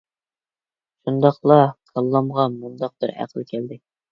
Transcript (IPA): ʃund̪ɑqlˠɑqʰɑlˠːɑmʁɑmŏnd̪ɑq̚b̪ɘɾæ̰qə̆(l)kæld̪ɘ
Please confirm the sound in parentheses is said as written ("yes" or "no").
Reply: yes